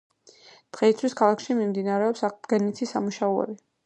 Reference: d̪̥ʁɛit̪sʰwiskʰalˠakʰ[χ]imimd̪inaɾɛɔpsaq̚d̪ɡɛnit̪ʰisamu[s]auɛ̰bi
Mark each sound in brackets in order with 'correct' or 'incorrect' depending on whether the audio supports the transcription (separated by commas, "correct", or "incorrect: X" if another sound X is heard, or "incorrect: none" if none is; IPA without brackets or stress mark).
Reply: incorrect: ʃ, incorrect: ʃ